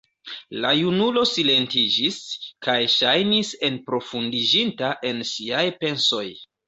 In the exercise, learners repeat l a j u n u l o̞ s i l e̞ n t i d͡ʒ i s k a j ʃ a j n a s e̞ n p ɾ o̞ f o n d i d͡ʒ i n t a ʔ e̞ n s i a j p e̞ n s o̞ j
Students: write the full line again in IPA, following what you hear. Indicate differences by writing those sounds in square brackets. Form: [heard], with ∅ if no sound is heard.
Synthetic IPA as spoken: l a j u n u l o̞ s i l e̞ n t i d͡ʒ i s k a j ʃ a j n [i] s e̞ n p ɾ o̞ f [u] n d i d͡ʒ i n t a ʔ e̞ n s i a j p e̞ n s o̞ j